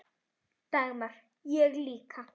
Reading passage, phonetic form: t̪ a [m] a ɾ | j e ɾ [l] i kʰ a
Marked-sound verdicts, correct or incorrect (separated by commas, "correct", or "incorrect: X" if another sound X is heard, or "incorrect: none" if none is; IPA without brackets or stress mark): correct, correct